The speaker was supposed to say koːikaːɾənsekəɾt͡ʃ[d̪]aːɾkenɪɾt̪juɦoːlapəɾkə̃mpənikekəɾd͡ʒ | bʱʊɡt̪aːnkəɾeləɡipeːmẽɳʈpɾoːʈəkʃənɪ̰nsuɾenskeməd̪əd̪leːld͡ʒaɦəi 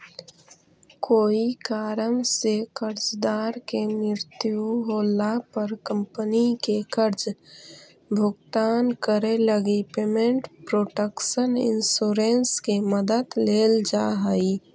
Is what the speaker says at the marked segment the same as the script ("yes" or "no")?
yes